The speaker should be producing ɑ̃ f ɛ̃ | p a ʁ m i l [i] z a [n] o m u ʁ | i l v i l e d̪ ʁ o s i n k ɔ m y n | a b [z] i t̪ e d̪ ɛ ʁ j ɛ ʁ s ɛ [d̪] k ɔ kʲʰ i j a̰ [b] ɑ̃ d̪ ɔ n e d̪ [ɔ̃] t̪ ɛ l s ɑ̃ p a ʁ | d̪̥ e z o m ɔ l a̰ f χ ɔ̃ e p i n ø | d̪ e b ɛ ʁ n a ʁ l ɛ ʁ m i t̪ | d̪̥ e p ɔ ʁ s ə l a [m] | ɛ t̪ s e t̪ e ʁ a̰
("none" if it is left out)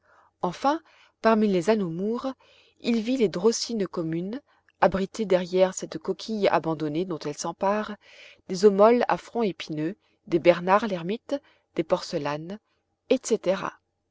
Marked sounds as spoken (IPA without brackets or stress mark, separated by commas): e, n, ʁ, t̪, b, ɔ̃, n